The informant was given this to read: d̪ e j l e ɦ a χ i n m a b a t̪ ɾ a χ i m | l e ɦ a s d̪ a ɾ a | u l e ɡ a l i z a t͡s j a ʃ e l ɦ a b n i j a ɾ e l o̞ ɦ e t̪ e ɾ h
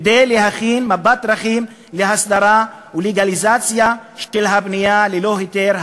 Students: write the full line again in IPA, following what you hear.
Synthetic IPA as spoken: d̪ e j l e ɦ a χ i n m a b a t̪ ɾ a χ i m | l e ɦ a s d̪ a ɾ a | u l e ɡ a l i z a t͡s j a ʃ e l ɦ a b n i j a l e l o̞ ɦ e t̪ e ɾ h